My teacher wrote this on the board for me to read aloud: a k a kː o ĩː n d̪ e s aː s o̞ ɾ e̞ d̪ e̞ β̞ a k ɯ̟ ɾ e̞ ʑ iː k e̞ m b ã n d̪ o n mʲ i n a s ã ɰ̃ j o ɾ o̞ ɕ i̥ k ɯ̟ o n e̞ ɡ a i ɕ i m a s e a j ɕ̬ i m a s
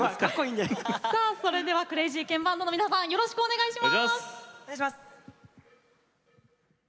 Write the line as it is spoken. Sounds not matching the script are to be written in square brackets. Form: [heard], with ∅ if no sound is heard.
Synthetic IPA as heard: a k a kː o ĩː n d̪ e s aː s o̞ ɾ e̞ d̪ e̞ β̞ a k ɯ̟ ɾ e̞ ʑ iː k [ẽ̞] m b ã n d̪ o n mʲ i n a s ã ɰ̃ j o ɾ o̞ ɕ i̥ k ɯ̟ o n e̞ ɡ a i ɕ i m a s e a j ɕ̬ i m a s